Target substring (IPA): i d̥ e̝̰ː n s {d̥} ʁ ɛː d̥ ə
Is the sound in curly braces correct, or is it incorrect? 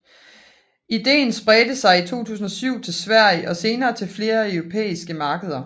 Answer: incorrect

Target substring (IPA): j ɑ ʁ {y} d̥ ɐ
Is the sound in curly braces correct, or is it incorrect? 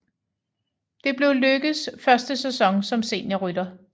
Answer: correct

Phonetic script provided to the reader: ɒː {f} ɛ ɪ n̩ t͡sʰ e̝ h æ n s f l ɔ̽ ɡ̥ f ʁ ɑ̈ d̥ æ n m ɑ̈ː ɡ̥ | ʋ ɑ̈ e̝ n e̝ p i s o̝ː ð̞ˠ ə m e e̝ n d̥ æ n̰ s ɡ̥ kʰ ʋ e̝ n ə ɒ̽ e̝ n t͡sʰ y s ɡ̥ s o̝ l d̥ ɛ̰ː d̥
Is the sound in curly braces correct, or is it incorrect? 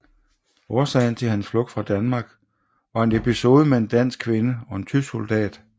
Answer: incorrect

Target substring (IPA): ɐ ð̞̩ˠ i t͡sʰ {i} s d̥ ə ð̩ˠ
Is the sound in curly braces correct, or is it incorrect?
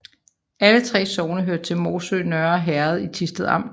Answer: correct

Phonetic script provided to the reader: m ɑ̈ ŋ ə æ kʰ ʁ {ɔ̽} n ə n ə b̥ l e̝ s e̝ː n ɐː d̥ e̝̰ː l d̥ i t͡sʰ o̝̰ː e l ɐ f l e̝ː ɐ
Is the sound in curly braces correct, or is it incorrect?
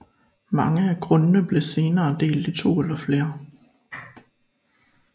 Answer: correct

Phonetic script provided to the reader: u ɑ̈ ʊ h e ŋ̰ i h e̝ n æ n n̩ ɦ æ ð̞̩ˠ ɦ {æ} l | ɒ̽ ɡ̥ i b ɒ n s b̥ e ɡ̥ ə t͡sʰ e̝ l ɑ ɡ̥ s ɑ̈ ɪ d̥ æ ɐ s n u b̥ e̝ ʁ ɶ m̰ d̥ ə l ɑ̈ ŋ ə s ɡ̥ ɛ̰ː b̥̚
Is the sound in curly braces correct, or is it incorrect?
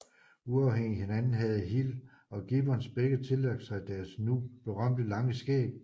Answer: incorrect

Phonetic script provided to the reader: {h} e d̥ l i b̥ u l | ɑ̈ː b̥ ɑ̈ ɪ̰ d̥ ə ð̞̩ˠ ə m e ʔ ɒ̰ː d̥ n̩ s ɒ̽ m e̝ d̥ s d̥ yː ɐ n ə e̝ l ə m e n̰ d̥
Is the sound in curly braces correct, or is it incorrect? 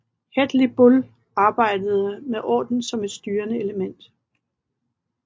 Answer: correct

